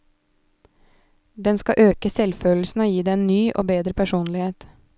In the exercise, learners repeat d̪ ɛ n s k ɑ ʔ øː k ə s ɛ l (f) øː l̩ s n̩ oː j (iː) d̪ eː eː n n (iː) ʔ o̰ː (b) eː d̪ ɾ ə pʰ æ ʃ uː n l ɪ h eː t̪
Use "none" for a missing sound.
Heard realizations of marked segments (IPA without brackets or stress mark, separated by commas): f, iː, yː, b